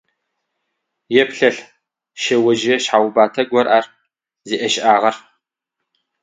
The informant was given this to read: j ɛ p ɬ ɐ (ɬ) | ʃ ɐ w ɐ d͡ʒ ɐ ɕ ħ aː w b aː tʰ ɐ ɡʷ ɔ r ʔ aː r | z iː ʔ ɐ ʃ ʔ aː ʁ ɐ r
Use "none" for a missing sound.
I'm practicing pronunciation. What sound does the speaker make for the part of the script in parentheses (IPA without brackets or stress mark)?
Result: ɬ